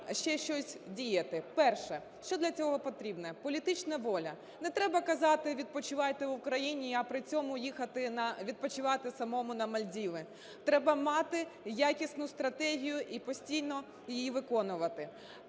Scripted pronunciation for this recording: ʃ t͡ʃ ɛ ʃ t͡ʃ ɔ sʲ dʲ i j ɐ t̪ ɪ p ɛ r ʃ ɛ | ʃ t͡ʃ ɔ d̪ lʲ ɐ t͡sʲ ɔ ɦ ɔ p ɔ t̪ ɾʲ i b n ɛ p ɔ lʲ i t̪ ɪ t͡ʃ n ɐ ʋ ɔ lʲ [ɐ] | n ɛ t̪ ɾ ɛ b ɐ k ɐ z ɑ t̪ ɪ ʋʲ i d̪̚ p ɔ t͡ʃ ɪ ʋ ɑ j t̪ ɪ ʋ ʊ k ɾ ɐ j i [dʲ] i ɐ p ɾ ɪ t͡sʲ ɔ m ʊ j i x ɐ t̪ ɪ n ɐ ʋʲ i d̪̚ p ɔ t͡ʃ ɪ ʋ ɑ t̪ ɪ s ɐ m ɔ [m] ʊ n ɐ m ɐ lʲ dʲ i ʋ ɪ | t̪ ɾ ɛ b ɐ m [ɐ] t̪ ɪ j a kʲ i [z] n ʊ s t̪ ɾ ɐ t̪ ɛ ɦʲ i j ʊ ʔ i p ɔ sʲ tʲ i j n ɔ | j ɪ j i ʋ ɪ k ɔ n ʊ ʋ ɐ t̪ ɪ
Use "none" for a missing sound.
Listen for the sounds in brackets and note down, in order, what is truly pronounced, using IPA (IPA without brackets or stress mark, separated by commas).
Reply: ɐ, nʲ, m, ɑ, s